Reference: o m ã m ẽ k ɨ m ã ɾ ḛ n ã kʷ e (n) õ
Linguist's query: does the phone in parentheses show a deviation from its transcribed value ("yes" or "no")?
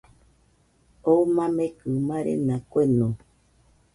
no